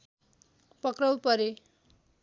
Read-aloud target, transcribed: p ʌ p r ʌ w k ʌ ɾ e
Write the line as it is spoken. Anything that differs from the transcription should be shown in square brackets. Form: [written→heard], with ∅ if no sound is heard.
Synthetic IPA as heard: p ʌ [p→k] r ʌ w [k→p] ʌ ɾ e